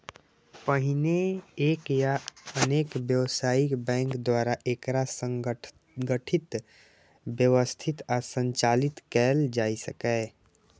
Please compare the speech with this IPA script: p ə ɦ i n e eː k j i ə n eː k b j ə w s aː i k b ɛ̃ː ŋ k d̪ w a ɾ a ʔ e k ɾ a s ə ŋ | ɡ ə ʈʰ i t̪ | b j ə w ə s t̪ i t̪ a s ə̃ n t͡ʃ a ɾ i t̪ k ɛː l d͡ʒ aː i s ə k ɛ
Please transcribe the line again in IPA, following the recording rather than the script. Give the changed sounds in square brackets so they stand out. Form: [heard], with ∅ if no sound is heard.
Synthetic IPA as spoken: p ə ɦ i n e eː k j [a] ə n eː k b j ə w s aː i k b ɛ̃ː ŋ k d̪ w a ɾ a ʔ e k ɾ a s ə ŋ | ɡ ə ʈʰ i t̪ | b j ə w ə s [t̪ʰ] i t̪ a s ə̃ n t͡ʃ a [l] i t̪ k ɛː l d͡ʒ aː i s ə k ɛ